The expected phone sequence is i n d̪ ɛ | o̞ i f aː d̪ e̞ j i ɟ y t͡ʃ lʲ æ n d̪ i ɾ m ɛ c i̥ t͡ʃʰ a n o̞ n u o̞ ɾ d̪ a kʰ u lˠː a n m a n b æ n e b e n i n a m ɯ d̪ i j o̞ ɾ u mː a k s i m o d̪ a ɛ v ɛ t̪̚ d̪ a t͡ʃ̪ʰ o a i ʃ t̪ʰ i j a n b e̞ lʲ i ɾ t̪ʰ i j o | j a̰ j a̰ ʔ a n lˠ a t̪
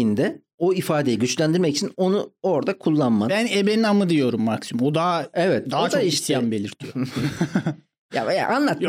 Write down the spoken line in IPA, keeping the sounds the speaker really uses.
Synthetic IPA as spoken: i n d̪ ɛ | o̞ i f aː d̪ e̞ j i ɟ y t͡ʃ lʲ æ n d̪ i ɾ m ɛ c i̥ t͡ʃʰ i n o̞ n u o̞ ɾ d̪ a kʰ u lˠː a n m a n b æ n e b e n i n a m ɯ d̪ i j o̞ ɾ u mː a k s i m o d̪ a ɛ v ɛ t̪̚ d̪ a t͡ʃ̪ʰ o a i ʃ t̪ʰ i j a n b e̞ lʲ i ɾ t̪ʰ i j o | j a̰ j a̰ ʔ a n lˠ a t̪